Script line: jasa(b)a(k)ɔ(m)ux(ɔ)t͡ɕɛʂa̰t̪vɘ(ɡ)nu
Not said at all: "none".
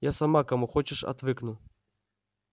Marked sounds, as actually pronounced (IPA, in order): m, k, m, ɔ, k

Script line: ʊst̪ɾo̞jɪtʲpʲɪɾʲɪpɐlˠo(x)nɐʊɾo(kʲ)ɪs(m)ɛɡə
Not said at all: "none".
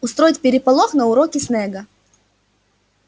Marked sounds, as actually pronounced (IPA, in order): x, kʲ, n

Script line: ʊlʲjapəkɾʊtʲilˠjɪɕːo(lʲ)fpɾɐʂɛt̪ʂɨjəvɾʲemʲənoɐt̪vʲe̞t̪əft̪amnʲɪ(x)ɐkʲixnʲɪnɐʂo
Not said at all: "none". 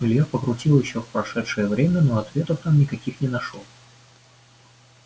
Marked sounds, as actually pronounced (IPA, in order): none, k

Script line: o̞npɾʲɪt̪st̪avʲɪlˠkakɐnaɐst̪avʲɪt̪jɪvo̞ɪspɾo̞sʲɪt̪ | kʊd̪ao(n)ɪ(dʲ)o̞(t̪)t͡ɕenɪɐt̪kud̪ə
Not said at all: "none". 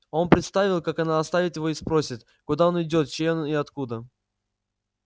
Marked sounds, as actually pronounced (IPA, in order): n, dʲ, t̪

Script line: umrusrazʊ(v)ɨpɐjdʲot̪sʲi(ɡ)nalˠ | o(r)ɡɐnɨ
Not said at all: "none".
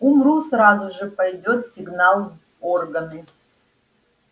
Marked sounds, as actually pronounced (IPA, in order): ʐ, ɡ, r

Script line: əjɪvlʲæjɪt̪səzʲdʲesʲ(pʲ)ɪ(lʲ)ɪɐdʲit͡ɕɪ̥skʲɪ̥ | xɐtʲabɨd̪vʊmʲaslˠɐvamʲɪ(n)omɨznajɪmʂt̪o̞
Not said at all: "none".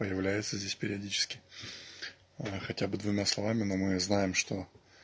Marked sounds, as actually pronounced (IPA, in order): pʲ, ɾʲ, n

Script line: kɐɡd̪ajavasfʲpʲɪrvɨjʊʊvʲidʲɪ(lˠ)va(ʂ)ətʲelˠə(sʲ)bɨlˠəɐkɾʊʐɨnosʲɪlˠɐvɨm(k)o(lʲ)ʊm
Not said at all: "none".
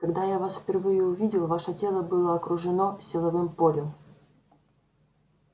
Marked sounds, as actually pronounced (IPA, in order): lˠ, ʂ, none, p, lʲ

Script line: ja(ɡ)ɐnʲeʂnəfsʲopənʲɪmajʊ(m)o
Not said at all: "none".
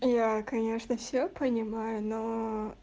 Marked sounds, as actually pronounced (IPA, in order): k, n

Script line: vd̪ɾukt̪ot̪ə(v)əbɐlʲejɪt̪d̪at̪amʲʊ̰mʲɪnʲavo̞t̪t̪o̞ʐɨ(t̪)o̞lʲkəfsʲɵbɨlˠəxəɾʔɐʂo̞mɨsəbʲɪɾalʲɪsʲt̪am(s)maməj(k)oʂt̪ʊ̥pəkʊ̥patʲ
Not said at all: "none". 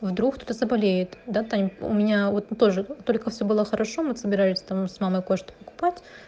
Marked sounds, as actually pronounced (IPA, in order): z, t̪, s, k

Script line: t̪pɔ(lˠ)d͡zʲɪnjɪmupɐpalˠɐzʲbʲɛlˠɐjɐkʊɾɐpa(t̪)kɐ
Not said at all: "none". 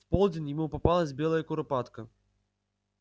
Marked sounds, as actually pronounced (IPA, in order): lˠ, t̪

